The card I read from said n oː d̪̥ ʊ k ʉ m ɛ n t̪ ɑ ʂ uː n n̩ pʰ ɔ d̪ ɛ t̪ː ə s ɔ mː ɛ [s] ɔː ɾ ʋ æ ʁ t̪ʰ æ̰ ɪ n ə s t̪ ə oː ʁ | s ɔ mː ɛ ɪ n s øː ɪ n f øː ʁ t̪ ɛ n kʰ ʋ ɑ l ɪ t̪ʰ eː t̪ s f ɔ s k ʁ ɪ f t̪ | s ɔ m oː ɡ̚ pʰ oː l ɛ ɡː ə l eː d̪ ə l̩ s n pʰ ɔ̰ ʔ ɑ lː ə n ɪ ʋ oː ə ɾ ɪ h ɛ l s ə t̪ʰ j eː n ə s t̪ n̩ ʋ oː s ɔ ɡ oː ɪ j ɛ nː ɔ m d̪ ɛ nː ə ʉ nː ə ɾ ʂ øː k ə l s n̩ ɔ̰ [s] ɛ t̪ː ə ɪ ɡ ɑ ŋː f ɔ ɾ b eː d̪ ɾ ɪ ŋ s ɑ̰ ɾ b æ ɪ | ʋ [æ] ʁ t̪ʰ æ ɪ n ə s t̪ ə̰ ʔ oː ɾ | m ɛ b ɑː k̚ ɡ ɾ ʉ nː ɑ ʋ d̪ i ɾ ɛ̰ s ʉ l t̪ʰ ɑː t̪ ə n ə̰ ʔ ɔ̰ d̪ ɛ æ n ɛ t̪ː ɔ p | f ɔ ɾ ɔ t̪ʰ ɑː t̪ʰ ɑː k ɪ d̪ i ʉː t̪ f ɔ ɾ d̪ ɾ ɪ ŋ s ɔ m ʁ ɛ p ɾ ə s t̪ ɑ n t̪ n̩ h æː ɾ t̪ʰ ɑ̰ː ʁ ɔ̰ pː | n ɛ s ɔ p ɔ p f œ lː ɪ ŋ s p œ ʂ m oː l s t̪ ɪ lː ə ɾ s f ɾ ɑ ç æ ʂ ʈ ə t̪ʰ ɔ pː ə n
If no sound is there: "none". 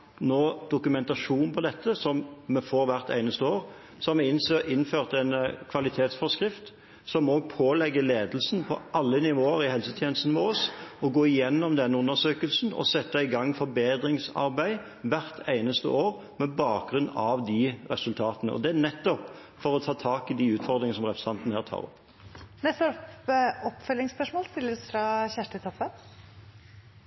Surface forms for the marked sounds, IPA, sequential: f, s, æ

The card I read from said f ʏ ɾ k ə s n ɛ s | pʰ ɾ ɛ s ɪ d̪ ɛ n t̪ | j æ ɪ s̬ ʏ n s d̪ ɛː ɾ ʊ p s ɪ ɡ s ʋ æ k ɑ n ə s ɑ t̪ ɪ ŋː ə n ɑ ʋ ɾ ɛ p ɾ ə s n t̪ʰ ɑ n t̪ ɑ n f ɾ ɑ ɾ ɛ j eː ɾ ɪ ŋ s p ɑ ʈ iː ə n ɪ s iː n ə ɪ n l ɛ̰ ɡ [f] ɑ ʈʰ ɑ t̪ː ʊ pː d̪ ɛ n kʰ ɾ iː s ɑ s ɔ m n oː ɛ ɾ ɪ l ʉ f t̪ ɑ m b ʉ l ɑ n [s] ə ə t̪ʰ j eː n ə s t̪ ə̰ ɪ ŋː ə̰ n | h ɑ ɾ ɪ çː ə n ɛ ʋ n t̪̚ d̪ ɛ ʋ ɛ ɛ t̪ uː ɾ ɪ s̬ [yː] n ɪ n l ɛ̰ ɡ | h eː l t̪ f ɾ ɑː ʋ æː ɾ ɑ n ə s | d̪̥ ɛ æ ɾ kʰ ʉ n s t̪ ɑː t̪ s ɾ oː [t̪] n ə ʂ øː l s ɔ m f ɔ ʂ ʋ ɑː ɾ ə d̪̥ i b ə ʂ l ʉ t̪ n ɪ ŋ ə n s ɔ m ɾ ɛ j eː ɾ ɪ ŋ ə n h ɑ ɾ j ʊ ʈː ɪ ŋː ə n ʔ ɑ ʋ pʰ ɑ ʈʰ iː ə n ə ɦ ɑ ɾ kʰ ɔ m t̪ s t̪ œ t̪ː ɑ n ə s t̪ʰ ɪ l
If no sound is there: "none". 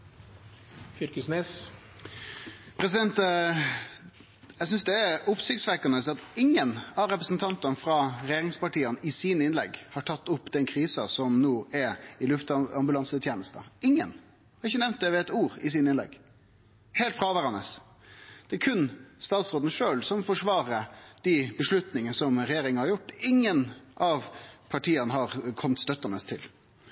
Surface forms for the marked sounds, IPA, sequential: h, s, iː, d̪

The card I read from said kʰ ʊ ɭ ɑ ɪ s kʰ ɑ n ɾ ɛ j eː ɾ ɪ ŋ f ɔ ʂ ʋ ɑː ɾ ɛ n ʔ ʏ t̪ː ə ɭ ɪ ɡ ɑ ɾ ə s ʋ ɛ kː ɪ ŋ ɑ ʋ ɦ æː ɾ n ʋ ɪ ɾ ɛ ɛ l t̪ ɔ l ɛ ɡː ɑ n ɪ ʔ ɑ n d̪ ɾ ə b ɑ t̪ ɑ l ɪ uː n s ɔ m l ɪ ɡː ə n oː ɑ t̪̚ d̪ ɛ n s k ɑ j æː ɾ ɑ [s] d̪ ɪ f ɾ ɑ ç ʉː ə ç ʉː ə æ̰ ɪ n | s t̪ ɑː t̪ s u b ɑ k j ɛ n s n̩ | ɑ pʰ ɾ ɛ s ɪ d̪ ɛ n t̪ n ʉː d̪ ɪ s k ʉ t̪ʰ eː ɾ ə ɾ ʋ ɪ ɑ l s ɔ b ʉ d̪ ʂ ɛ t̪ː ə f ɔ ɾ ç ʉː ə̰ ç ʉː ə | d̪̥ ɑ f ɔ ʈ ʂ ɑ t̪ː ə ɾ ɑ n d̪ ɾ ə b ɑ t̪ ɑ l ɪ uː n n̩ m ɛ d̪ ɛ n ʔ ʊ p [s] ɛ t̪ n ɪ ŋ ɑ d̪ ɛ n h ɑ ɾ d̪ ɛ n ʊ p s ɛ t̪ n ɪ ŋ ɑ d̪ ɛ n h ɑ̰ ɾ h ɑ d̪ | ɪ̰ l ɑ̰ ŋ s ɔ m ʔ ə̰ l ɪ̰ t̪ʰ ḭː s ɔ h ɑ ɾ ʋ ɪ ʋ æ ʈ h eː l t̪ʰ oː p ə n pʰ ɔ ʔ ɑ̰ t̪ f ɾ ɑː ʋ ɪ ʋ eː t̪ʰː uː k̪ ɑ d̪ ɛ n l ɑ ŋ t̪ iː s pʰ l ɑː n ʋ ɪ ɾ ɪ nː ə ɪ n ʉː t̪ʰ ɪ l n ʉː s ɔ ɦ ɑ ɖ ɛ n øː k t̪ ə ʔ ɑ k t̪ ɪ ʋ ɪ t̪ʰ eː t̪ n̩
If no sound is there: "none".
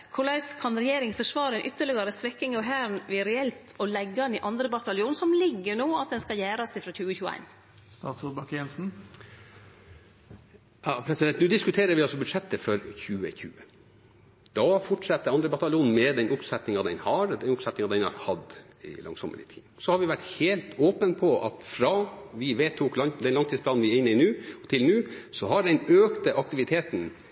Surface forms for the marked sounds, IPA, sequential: s, s

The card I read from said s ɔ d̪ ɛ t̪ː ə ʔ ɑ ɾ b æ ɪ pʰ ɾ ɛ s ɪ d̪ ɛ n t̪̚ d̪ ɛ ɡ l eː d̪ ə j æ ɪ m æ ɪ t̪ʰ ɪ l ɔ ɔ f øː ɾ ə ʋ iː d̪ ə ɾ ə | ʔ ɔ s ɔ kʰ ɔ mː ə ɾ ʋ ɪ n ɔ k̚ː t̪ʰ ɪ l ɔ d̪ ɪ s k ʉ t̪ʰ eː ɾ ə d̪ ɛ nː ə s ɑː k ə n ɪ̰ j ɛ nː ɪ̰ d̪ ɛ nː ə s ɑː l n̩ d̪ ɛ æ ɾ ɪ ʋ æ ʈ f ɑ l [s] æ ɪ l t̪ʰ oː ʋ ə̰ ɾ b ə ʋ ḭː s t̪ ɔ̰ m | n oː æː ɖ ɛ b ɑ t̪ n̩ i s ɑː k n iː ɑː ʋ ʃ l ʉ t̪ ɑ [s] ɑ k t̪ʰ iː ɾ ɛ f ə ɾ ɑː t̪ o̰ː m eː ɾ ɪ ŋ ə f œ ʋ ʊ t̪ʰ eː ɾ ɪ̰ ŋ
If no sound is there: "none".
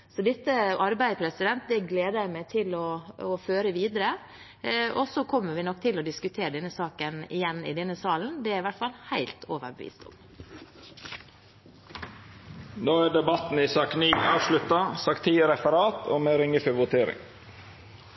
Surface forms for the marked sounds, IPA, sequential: h, s

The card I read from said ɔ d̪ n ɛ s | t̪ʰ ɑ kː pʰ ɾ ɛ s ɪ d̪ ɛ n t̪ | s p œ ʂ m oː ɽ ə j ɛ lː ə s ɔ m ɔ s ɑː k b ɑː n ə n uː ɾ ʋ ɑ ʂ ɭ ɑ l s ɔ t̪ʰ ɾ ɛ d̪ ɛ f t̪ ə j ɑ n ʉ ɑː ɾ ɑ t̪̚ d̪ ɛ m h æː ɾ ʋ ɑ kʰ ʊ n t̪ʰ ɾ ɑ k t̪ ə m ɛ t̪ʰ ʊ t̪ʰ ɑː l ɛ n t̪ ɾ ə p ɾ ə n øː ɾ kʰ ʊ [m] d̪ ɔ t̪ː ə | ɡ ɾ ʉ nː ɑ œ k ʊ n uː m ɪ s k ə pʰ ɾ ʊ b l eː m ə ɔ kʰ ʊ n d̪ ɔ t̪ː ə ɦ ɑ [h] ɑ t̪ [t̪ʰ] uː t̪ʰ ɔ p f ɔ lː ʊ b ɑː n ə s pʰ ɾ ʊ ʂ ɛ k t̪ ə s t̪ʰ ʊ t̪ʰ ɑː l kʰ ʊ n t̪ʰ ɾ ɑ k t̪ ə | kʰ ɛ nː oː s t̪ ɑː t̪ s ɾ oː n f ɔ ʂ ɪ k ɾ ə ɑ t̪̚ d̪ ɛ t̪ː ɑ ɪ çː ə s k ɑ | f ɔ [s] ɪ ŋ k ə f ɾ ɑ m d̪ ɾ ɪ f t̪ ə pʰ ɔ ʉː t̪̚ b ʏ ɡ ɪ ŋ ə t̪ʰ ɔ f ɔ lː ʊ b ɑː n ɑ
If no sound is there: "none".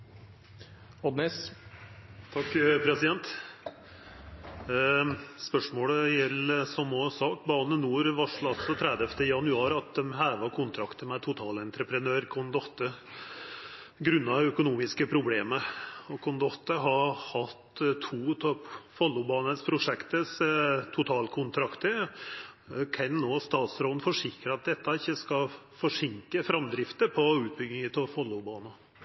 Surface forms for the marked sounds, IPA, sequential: n, h, t̪ʰ, ʂ

